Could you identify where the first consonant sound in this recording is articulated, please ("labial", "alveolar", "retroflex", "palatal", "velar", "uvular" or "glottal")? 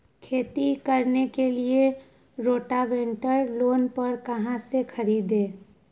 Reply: velar